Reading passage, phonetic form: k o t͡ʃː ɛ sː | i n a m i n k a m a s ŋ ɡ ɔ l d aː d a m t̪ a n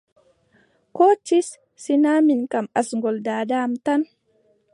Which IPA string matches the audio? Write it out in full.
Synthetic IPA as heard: k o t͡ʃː i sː | i n a m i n k a m a s ŋ ɡ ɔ l d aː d a m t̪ a n